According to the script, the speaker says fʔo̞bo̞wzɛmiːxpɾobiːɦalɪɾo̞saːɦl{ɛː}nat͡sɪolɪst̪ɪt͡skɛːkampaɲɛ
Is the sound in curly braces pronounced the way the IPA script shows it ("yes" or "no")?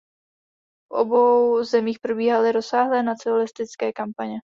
yes